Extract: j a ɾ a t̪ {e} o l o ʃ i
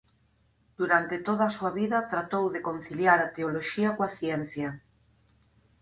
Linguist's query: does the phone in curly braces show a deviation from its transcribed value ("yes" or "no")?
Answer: no